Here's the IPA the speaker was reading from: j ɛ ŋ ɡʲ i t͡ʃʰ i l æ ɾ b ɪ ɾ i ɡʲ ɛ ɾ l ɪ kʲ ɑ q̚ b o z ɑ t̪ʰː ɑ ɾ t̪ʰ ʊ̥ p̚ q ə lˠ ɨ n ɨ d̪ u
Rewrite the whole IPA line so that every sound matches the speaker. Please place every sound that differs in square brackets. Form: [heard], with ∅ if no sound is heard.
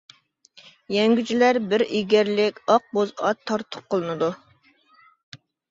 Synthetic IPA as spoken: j ɛ ŋ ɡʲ [y] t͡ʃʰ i l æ ɾ b ɪ ɾ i ɡʲ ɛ ɾ l ɪ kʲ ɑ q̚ b o z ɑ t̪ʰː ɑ ɾ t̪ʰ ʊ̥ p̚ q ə lˠ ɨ n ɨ d̪ u